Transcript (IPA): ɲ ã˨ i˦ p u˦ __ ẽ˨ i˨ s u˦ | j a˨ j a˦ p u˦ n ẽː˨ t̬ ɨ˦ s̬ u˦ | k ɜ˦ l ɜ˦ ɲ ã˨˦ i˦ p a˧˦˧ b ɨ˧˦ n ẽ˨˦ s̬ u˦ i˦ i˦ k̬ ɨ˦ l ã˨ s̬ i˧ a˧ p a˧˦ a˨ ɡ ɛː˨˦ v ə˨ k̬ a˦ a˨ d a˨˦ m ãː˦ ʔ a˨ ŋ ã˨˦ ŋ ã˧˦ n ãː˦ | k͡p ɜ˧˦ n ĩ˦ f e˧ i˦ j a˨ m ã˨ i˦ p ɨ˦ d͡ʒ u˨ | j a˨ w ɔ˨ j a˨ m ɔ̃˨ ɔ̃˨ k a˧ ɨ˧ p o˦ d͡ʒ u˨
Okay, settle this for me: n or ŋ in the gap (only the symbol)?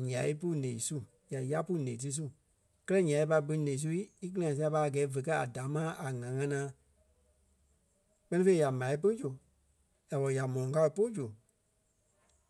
n